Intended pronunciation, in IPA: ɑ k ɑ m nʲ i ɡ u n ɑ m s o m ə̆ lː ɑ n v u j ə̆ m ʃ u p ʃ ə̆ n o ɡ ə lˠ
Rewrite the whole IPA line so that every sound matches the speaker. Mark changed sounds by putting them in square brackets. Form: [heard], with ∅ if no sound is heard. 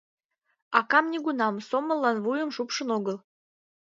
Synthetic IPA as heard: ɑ k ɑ m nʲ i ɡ u n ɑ m s o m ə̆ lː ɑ n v u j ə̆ m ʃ u p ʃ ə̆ n o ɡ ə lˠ